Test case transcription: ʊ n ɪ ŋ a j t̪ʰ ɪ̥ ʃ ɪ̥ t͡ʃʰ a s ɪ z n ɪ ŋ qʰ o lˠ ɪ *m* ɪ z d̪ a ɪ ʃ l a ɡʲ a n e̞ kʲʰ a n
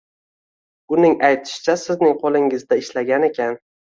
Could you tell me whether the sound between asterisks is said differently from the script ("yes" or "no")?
yes